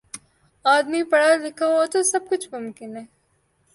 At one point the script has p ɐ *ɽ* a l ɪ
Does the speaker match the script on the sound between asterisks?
yes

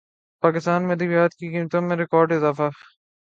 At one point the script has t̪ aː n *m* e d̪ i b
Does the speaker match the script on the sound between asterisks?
yes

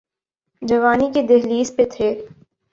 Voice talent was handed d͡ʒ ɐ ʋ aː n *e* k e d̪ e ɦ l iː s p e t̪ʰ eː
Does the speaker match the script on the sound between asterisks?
no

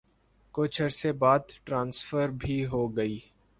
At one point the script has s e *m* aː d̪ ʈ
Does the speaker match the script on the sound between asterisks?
no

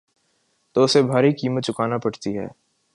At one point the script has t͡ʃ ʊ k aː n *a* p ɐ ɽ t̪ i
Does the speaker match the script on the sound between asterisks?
yes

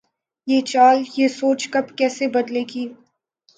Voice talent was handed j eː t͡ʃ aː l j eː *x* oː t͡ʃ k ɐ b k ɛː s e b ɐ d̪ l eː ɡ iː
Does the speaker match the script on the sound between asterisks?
no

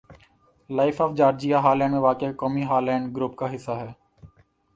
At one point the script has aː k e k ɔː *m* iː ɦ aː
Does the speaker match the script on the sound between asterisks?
yes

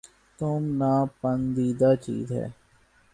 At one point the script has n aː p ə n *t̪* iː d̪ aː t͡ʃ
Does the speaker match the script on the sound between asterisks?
no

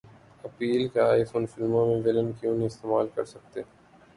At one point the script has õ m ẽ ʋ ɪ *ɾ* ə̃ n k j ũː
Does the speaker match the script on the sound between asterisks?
no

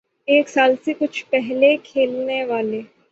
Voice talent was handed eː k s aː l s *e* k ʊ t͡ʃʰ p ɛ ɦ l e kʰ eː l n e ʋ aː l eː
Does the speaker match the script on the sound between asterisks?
yes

